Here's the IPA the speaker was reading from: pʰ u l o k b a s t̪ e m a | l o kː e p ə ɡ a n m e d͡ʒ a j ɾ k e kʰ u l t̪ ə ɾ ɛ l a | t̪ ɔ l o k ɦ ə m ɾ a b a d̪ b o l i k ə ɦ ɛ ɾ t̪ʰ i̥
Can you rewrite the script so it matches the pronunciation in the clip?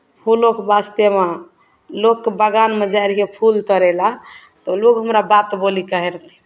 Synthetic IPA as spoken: pʰ u l o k b a s t̪ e m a | l o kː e b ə ɡ a n m e d͡ʒ a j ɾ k e pʰ u l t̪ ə ɾ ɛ l a | t̪ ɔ l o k ɦ ə m ɾ a b a t̪ b o l i k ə ɦ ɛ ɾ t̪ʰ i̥